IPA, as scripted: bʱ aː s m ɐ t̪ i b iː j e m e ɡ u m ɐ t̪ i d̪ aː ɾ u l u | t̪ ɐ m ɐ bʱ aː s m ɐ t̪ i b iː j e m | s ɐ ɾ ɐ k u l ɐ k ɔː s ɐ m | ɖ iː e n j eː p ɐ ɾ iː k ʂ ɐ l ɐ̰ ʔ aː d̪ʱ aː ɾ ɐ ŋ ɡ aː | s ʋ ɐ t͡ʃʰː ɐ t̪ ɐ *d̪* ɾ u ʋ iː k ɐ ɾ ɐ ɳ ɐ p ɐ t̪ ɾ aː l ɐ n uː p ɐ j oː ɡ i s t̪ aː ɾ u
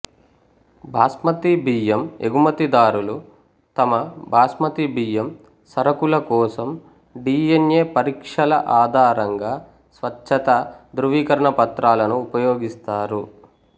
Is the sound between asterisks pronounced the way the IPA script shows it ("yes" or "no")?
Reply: yes